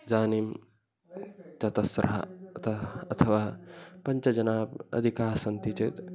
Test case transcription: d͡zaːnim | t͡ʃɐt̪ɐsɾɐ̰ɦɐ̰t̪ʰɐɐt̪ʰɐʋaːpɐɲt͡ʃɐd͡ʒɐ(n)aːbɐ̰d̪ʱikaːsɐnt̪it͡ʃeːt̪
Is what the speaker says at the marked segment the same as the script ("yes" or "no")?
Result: yes